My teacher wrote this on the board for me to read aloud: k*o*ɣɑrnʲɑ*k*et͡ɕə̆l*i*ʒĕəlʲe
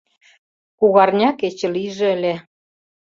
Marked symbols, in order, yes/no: no, yes, yes

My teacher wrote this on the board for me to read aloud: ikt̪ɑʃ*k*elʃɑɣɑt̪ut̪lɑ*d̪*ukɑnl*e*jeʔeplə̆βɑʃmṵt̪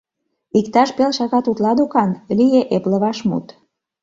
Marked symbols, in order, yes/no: no, yes, no

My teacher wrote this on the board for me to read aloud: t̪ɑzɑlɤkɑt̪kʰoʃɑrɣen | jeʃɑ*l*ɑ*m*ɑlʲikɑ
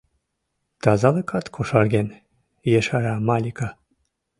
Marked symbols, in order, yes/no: no, yes

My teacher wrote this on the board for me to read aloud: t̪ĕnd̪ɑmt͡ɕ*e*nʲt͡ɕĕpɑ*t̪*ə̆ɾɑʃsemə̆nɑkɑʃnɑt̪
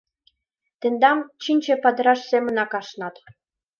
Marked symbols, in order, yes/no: no, no

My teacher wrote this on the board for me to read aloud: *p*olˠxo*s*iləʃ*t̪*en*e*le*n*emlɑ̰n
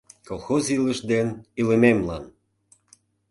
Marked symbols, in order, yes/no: no, no, no, no, no

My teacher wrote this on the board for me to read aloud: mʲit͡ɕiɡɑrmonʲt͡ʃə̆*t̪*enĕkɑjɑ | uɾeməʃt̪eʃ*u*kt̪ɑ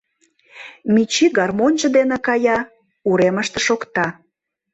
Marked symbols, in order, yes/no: no, no

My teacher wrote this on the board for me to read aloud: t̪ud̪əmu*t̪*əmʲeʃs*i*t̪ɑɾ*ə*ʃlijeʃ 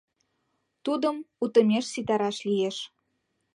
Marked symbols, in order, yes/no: yes, yes, no

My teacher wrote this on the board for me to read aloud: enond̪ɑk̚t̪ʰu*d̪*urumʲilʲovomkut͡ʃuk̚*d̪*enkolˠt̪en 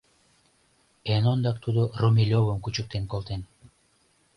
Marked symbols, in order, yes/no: yes, no

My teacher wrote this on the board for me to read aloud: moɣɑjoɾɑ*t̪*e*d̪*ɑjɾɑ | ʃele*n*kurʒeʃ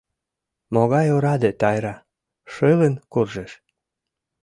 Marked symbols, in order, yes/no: no, no, yes

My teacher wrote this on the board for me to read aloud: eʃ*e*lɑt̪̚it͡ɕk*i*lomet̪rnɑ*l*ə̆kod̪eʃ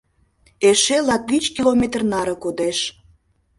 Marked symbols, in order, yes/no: yes, yes, no

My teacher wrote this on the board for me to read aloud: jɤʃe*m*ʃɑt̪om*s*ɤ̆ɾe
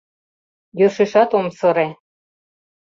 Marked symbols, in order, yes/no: no, yes

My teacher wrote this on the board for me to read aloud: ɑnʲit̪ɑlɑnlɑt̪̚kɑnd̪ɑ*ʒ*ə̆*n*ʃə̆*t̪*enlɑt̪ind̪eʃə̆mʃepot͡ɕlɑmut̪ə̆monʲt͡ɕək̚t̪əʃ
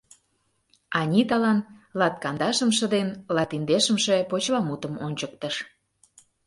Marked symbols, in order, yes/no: no, no, no

